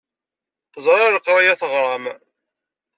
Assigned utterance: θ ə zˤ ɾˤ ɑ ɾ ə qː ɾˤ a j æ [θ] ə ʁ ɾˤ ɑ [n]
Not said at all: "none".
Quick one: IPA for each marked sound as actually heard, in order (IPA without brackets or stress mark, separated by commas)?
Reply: θ, m